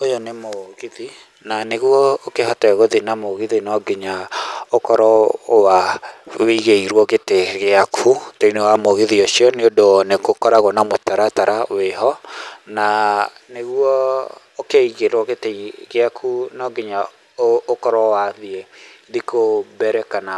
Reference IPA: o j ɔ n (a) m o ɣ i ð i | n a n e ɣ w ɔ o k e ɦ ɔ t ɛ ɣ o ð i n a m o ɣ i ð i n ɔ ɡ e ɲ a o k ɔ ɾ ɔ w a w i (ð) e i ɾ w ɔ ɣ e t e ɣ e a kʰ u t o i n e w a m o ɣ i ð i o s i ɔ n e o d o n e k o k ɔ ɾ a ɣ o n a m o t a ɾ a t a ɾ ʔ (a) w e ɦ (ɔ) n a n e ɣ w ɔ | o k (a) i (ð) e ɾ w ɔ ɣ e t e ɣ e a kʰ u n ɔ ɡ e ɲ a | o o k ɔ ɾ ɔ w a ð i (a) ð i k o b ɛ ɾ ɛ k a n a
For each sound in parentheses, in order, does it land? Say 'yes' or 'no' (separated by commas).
no, no, yes, yes, no, no, no